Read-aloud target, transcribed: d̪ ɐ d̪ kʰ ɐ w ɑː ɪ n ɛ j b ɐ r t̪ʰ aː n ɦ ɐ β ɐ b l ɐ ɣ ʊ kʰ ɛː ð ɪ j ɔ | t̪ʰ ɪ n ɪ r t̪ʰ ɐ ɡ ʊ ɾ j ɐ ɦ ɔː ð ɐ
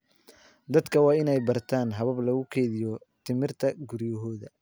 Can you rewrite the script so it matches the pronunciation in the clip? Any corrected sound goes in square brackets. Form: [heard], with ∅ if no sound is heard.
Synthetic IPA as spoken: d̪ ɐ d̪ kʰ ɐ w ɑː ɪ n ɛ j b ɐ r t̪ʰ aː n ɦ ɐ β ɐ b l ɐ ɣ ʊ kʰ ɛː ð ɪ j ɔ | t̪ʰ ɪ [m] ɪ r t̪ʰ ɐ ɡ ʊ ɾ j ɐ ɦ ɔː ð ɐ

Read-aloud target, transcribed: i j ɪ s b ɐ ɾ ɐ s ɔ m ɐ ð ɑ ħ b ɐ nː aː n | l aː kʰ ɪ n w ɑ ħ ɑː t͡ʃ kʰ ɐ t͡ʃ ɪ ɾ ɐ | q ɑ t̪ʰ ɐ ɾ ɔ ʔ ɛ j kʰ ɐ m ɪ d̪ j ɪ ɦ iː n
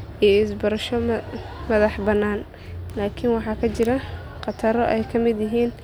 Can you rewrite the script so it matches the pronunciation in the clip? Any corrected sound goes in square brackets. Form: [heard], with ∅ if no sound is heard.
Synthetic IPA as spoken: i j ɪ s b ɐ ɾ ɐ [ʃ] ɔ m ɐ ð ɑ ħ b ɐ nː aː n | l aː kʰ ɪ n w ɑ ħ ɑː [∅] kʰ ɐ t͡ʃ ɪ ɾ ɐ | q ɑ t̪ʰ ɐ ɾ ɔ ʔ ɛ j kʰ ɐ m ɪ d̪ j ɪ ɦ iː n

